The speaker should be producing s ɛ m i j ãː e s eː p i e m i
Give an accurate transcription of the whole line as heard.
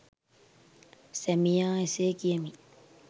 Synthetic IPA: s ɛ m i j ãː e s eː k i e m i